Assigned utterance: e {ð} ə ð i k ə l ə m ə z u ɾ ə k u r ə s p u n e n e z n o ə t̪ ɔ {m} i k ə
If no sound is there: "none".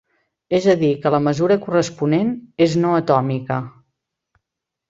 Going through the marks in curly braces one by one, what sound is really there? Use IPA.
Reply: z, m

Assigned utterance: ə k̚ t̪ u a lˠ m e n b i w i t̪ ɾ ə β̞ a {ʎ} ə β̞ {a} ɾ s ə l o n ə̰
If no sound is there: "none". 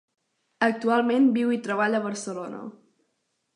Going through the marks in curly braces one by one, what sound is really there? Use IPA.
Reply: ʎ, ə

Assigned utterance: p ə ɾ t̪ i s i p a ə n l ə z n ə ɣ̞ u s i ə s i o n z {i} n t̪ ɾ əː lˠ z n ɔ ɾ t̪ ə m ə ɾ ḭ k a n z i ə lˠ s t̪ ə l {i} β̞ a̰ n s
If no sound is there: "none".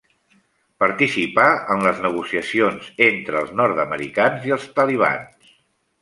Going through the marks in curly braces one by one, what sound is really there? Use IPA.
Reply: e, i

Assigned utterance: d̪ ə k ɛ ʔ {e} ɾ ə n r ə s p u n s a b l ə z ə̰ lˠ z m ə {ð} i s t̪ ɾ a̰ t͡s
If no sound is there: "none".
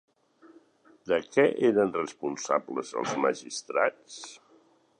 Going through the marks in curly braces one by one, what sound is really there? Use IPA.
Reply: e, ʒ

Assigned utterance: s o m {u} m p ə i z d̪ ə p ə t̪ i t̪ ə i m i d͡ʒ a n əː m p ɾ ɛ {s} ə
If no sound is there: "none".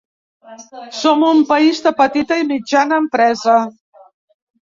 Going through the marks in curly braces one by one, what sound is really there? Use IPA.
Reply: u, z

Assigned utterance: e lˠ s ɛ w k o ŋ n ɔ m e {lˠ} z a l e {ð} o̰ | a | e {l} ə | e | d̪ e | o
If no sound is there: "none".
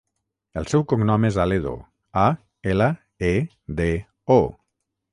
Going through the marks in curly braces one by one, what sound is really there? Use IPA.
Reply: none, ð, l

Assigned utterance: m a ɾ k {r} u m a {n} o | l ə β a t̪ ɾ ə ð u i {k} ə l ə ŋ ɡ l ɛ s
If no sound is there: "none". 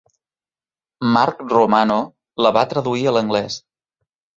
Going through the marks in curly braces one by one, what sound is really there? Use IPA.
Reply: r, n, none

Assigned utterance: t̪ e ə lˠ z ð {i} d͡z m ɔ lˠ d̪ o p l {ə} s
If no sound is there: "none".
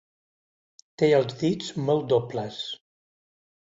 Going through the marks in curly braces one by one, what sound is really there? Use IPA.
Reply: i, ə

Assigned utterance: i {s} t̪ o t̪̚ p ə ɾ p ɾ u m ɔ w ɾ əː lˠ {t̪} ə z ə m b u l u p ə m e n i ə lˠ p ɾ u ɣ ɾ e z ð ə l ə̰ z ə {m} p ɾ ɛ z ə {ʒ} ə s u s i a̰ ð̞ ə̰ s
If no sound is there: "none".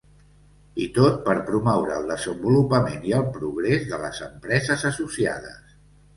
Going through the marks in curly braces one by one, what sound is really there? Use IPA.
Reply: none, d̪, m, z

